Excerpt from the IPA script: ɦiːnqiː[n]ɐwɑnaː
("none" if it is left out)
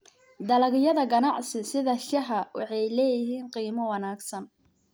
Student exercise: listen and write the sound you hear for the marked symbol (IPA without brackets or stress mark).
m